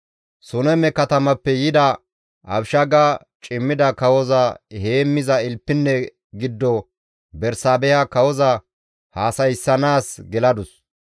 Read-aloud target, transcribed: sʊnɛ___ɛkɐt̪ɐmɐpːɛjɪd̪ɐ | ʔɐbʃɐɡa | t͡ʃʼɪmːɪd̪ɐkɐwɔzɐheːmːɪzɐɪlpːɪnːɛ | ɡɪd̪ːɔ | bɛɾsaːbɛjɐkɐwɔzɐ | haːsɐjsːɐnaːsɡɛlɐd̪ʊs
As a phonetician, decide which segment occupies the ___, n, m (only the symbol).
m